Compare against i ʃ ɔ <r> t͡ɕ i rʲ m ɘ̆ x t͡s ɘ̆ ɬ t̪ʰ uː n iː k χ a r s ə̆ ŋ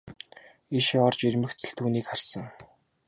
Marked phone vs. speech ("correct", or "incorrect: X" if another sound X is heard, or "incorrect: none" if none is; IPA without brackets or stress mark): correct